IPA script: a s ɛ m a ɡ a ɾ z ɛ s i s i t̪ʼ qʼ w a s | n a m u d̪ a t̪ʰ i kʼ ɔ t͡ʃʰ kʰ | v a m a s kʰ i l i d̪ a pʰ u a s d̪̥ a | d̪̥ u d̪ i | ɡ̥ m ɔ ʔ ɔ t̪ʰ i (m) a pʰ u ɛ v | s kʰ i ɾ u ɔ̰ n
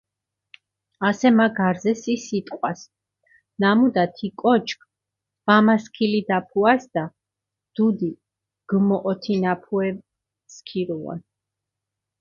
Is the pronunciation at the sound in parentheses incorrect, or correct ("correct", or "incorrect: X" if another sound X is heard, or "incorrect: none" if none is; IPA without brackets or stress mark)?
incorrect: n